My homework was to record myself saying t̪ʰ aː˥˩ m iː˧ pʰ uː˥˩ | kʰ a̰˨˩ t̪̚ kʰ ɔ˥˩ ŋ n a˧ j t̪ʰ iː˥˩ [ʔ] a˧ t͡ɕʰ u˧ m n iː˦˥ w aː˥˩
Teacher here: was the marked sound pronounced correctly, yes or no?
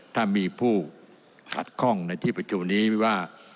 no